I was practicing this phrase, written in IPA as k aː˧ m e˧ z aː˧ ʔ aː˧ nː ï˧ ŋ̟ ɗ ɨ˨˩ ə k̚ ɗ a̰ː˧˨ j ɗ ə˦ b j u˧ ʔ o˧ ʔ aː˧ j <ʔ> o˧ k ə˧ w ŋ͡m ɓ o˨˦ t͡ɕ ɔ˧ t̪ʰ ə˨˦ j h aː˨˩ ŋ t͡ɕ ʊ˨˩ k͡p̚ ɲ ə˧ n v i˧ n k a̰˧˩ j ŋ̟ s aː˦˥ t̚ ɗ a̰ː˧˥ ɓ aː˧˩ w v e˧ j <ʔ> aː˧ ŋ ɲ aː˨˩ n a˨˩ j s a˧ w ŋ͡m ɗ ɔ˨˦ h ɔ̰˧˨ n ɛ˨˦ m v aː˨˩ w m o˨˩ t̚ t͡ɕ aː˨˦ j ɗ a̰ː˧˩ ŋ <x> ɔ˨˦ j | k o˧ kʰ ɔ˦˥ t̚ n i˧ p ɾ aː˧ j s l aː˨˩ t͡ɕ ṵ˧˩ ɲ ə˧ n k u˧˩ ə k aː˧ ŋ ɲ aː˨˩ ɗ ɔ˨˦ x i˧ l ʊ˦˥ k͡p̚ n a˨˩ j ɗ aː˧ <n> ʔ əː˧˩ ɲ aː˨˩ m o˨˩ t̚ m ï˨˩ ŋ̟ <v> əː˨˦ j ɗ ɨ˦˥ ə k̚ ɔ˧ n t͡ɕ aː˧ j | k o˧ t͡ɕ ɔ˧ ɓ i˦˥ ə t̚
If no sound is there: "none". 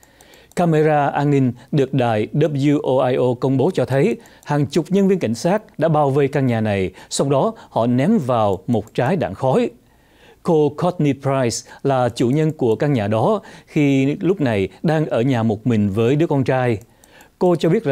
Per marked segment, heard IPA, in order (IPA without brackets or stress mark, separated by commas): ʔ, k, x, ŋ, v